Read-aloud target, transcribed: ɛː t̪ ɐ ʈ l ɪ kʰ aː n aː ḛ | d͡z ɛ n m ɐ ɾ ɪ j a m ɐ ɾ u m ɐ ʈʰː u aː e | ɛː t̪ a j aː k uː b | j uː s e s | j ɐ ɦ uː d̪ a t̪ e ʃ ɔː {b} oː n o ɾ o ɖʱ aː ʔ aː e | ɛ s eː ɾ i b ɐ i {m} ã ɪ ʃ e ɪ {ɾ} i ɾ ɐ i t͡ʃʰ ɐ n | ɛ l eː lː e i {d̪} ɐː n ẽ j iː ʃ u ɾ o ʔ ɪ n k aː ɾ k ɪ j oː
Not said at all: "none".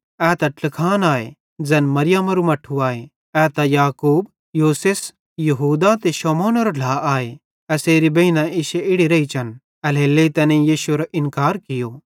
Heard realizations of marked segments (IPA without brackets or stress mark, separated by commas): m, n, ɽ, t̪